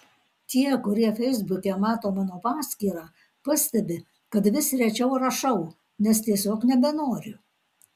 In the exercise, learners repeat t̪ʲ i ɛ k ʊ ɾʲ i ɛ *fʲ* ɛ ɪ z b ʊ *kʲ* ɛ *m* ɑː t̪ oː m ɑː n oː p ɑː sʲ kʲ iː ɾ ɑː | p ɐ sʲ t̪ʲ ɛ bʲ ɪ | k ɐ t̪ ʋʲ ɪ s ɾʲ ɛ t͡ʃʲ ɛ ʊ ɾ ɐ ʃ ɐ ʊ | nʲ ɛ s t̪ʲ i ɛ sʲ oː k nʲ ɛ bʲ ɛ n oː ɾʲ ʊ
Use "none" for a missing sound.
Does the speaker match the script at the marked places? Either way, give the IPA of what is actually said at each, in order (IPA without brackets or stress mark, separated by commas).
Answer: fʲ, kʲ, m